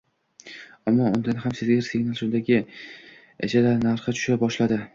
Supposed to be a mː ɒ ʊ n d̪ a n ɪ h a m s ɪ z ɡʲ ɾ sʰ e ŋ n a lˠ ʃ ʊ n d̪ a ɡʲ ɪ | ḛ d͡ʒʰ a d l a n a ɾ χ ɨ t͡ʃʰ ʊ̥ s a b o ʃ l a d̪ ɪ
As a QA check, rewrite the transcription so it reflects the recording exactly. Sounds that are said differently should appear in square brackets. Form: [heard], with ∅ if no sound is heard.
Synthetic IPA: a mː ɒ ʊ n d̪ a n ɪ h a m s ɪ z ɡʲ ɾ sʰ e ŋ n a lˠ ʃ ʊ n d̪ a ɡʲ ɪ | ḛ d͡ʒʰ a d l a n a ɾ χ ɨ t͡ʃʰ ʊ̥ [ʃ] a b [ɒ] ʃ l a d̪ ɪ